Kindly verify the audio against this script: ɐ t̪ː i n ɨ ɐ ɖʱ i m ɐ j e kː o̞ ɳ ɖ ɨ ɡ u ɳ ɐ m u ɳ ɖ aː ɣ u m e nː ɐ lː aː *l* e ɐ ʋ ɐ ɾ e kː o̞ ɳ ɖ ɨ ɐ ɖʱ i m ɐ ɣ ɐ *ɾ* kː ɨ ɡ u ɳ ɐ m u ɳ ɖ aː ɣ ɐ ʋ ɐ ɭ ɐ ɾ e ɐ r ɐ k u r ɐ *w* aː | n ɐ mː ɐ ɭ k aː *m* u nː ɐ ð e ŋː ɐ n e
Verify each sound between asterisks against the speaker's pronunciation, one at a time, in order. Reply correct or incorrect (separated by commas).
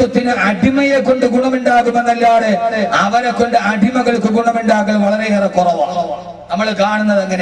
incorrect, incorrect, incorrect, incorrect